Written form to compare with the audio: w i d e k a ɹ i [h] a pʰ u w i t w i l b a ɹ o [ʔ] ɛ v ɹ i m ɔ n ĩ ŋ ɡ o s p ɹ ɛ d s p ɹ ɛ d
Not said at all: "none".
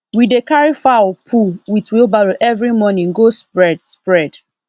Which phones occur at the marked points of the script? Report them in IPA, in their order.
f, ʔ

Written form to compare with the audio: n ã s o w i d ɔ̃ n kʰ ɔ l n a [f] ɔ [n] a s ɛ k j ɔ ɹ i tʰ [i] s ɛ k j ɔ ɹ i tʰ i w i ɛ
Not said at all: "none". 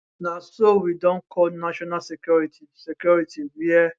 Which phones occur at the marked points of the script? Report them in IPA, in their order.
ʃ, n, i

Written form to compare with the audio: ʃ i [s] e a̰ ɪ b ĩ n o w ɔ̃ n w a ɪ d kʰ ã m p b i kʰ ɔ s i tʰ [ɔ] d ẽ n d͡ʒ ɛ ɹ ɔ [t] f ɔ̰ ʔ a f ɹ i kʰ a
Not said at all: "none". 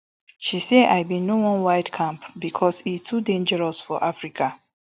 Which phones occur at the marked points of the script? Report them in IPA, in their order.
s, u, s

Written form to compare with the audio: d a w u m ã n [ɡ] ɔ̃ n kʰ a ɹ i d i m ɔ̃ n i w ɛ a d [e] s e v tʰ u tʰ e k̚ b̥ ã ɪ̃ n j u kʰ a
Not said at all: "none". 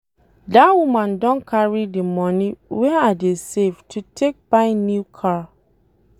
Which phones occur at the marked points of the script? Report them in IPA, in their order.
d, e

